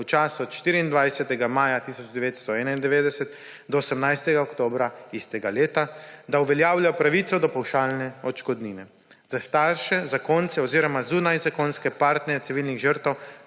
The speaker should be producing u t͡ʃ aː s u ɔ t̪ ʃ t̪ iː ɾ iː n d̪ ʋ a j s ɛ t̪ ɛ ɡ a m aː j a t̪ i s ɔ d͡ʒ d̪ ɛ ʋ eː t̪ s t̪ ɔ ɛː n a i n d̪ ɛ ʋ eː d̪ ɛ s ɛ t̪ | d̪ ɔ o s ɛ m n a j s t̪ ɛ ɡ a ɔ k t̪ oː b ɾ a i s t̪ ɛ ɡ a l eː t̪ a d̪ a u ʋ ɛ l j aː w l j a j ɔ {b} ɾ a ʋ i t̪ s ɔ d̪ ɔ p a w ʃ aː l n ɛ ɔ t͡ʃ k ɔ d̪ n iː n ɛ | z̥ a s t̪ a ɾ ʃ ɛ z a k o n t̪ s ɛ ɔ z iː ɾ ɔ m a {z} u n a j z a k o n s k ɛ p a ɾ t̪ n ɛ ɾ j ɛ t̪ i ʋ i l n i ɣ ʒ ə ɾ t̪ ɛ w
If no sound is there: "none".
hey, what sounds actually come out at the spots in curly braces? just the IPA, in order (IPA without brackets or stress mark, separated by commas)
p, z